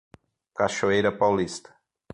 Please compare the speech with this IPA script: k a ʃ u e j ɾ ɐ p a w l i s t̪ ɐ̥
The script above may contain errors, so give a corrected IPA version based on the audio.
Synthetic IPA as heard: k a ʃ o e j ɾ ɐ p a w l i s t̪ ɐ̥